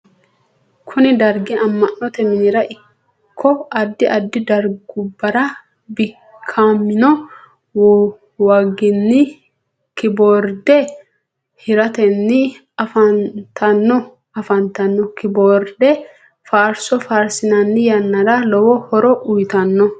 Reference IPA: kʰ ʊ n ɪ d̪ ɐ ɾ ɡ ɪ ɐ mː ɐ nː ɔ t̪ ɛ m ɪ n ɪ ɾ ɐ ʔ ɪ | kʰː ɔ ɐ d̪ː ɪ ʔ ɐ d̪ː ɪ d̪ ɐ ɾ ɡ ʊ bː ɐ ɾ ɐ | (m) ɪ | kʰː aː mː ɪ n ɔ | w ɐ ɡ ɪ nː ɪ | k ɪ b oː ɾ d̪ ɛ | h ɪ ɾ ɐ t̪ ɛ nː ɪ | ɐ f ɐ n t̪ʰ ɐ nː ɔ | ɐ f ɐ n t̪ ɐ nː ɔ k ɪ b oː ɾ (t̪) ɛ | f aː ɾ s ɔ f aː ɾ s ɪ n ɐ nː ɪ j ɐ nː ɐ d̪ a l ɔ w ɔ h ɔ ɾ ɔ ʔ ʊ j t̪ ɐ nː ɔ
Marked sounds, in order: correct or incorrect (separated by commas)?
incorrect, incorrect